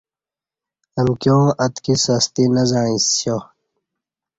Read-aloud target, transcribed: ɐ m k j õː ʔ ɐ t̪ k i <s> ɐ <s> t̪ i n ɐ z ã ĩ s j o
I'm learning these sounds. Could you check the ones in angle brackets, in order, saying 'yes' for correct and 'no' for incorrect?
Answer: yes, yes

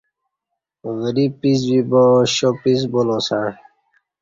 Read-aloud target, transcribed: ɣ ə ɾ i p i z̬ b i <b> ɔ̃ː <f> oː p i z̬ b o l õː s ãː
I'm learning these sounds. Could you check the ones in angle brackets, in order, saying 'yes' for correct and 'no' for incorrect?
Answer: yes, no

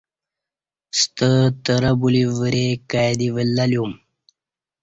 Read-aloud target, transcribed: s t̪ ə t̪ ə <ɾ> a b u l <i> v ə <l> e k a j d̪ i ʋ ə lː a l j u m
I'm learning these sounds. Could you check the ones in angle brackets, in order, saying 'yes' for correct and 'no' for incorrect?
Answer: yes, yes, no

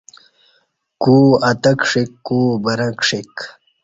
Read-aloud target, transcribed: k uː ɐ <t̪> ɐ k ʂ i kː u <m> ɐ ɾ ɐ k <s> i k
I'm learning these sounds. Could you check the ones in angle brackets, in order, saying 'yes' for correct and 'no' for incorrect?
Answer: yes, no, no

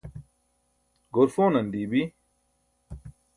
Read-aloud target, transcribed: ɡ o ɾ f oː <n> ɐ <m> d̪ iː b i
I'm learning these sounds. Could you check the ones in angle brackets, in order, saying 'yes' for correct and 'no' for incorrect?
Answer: yes, no

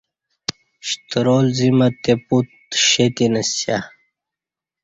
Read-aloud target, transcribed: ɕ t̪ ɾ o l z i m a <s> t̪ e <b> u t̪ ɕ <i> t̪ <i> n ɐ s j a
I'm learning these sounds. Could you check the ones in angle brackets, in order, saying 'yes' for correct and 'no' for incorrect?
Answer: no, no, no, yes

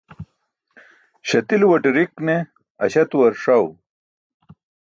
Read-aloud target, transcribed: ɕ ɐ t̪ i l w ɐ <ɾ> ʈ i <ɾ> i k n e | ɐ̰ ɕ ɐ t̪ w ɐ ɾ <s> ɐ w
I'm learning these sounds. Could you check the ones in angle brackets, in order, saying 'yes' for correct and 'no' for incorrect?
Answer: no, yes, no

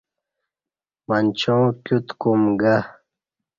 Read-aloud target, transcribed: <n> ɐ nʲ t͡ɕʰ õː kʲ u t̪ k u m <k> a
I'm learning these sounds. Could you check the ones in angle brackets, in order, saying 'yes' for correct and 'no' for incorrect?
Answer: no, no

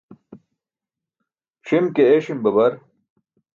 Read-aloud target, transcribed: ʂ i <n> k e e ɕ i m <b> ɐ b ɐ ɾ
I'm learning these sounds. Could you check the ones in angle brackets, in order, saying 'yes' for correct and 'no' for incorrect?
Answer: no, yes

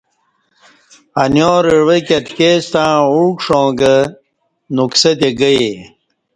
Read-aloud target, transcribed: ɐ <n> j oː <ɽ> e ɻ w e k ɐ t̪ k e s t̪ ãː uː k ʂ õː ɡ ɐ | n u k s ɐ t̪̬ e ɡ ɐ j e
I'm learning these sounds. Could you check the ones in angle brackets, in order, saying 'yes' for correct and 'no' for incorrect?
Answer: yes, no

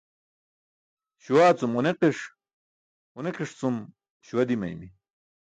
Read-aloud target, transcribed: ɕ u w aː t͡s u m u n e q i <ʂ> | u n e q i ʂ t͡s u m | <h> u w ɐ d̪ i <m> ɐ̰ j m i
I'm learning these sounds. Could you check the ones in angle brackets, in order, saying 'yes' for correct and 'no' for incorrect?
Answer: yes, no, yes

